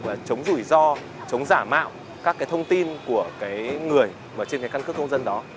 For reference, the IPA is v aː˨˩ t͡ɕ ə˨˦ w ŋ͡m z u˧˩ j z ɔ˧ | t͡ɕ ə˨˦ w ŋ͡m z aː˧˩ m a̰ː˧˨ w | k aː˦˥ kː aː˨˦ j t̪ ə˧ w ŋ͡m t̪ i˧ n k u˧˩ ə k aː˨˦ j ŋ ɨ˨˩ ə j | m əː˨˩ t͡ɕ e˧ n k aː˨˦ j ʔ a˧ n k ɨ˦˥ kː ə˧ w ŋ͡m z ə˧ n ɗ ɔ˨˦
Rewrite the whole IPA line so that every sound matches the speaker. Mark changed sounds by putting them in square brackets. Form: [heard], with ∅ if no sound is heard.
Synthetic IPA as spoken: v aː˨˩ t͡ɕ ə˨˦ w ŋ͡m z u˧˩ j z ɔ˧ | t͡ɕ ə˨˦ w ŋ͡m z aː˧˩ m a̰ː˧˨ w | k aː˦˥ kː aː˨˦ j [t̪ʰ] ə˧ w ŋ͡m t̪ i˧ n k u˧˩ ə k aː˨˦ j ŋ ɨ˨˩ ə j | m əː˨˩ t͡ɕ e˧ n k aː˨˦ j [k] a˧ n k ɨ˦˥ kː ə˧ w ŋ͡m z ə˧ n ɗ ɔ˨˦